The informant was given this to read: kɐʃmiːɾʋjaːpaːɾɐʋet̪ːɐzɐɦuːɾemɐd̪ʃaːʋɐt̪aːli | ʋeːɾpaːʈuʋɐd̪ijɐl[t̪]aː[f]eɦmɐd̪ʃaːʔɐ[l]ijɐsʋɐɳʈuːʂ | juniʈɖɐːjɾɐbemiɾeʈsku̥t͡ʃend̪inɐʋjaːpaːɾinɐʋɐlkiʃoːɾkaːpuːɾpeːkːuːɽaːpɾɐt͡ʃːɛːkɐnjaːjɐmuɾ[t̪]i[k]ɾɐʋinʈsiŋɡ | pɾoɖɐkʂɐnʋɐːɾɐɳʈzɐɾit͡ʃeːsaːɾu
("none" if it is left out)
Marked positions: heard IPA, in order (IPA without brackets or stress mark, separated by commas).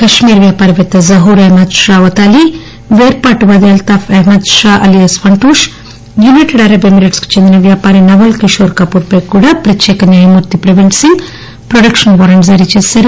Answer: t̪, f, l, t̪, p